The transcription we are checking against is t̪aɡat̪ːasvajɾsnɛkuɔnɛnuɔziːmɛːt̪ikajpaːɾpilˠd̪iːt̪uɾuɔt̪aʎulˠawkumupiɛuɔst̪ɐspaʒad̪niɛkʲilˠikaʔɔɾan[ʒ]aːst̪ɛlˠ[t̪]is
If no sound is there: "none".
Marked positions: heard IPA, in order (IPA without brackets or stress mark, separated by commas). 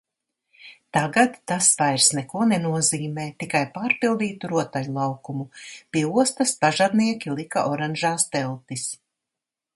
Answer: ʒ, t̪